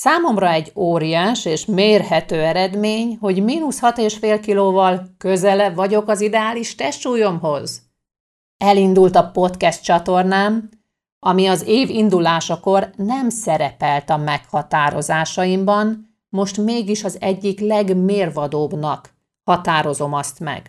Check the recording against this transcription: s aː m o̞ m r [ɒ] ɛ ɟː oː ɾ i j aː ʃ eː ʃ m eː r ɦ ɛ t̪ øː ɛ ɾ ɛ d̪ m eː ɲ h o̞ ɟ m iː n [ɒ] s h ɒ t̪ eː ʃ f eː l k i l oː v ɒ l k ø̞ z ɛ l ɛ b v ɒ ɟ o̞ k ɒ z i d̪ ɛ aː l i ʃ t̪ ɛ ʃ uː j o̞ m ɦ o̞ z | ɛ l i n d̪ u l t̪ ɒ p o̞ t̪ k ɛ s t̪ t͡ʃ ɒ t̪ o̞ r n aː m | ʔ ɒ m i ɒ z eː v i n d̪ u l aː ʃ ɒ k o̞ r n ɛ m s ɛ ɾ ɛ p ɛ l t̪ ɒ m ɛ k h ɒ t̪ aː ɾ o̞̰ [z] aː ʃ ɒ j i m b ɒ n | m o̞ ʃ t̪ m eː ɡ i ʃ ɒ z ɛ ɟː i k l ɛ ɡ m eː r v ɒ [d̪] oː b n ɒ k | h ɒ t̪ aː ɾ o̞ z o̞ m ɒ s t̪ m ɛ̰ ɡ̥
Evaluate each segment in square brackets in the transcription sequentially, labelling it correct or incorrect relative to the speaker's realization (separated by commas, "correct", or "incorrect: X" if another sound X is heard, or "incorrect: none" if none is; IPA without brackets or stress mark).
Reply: correct, incorrect: u, correct, correct